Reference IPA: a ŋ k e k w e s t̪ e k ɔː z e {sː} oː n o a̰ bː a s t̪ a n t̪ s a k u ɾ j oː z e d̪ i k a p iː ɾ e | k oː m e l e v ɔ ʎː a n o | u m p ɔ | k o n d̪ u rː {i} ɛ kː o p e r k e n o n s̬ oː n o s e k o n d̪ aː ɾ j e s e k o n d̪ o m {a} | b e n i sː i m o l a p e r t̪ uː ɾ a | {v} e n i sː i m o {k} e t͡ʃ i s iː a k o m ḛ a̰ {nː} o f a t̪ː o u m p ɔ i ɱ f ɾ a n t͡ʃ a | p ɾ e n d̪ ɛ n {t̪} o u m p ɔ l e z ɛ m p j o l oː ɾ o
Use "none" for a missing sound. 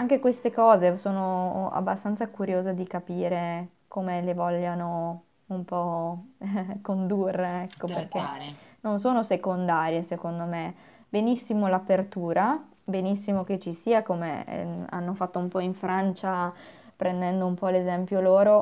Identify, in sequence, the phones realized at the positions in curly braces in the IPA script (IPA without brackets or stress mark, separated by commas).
s, e, e, b, k, nː, d̪